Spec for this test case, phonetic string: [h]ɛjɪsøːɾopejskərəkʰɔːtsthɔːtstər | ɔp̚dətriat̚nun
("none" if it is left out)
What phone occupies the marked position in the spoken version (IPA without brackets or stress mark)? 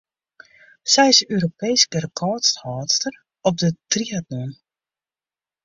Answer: s